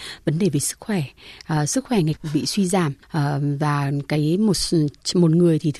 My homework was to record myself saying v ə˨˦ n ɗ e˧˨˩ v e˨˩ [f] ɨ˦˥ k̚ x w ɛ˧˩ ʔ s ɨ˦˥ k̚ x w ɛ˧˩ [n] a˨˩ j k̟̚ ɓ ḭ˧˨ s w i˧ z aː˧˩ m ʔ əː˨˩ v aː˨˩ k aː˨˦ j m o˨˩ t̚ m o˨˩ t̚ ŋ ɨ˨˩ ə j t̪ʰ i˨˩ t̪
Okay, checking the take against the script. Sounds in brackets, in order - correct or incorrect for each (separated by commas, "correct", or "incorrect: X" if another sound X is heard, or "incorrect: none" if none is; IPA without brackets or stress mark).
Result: incorrect: s, incorrect: ŋ